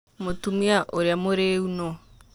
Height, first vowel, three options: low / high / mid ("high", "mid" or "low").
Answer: mid